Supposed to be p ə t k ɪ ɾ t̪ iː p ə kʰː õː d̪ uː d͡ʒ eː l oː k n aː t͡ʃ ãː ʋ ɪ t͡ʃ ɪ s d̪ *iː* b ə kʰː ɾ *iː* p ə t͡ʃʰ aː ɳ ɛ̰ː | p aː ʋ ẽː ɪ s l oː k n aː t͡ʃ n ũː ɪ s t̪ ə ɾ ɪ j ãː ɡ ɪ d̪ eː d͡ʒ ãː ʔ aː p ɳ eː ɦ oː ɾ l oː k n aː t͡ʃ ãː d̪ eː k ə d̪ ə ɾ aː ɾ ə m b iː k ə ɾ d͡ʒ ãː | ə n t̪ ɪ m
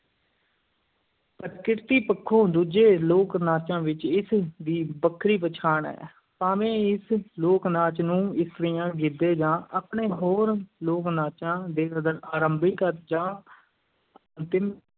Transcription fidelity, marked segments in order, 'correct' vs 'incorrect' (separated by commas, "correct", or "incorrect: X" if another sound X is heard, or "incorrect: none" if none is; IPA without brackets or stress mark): correct, correct